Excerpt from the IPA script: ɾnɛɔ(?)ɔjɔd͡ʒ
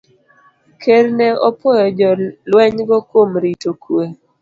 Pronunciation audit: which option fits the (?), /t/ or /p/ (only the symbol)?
p